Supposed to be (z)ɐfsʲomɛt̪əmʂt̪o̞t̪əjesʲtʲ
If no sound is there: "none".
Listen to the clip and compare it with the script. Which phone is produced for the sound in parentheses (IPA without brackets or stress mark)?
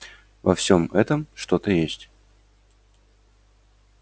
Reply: v